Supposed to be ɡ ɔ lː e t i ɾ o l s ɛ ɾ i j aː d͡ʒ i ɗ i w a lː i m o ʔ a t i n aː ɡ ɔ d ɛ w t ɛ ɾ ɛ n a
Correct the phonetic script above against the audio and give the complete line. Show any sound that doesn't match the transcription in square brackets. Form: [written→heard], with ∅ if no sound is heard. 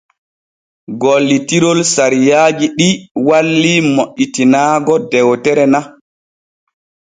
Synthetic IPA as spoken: ɡ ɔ lː [e→i] t i ɾ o l s [ɛ→a] ɾ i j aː d͡ʒ i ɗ i w a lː i m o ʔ [a→i] t i n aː ɡ ɔ d ɛ w t ɛ ɾ ɛ n a